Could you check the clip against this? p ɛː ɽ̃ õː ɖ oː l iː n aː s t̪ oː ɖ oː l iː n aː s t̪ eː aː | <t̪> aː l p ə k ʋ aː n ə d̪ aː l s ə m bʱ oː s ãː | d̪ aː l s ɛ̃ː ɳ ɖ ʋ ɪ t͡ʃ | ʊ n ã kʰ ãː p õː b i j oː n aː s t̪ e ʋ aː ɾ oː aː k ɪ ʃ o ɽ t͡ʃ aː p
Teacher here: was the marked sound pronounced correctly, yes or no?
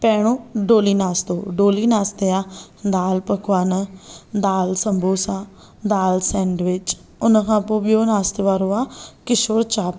no